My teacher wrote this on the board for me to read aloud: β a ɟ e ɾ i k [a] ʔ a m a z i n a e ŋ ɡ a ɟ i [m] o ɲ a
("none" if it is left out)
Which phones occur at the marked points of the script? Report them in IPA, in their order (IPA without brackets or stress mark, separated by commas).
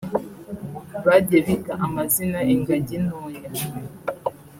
a, n